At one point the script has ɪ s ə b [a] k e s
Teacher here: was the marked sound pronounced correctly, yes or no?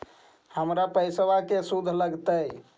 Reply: yes